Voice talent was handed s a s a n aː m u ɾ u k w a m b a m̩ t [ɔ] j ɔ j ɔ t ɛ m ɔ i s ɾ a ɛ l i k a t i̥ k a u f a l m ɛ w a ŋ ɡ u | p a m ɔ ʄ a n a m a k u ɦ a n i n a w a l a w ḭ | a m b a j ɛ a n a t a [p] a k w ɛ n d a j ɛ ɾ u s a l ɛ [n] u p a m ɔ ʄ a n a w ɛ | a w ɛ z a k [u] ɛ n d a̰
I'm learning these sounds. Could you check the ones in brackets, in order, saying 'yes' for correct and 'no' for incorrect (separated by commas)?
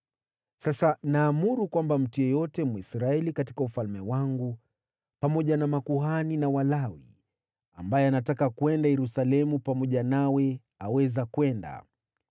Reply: no, no, no, no